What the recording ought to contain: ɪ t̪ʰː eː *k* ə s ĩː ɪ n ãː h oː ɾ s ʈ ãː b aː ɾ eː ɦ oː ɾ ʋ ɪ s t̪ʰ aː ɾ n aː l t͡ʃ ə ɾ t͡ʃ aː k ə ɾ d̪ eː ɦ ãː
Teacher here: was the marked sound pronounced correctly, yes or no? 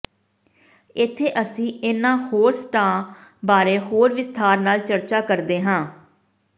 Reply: no